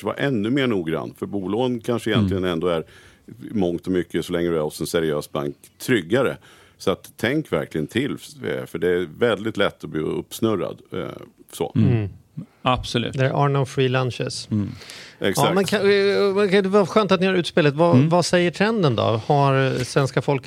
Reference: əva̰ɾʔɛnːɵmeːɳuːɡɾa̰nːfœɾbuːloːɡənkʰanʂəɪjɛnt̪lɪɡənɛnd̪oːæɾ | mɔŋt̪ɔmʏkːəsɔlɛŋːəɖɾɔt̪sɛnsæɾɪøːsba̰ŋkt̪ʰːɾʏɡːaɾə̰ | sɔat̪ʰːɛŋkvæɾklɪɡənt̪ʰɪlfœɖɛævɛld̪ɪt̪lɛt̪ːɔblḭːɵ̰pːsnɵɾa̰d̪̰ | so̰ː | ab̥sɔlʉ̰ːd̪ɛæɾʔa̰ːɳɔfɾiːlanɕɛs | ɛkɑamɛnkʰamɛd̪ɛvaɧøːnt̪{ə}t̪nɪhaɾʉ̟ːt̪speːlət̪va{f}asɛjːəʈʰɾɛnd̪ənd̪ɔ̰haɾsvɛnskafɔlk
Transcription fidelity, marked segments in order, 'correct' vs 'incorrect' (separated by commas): incorrect, incorrect